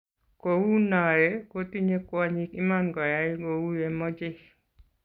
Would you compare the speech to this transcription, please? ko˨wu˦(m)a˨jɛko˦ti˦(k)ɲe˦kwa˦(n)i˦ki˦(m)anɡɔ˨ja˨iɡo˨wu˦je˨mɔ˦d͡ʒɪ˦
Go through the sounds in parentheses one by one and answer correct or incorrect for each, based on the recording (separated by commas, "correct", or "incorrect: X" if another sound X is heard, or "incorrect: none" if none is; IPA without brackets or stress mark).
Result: incorrect: n, incorrect: none, incorrect: ɲ, correct